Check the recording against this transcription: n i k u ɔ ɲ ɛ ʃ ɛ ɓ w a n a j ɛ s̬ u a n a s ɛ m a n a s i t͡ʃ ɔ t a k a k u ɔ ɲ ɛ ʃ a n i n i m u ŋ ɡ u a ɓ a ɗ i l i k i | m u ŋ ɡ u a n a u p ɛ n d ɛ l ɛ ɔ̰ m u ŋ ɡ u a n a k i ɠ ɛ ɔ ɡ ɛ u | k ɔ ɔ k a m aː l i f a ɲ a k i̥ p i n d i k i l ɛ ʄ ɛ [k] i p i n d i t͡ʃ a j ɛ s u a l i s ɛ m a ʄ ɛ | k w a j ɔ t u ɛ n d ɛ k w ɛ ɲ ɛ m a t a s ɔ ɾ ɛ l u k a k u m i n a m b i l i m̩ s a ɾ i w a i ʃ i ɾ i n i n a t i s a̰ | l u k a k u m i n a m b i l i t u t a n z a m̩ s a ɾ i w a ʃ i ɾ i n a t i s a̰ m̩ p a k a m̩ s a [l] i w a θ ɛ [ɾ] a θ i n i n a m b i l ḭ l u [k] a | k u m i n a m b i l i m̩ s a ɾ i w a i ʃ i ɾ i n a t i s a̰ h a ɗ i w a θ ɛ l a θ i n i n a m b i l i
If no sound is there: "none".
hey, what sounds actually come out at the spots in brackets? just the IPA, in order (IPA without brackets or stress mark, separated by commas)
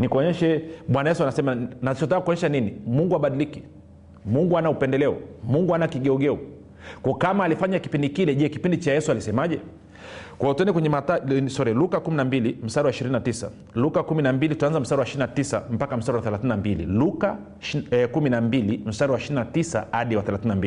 k, ɾ, l, k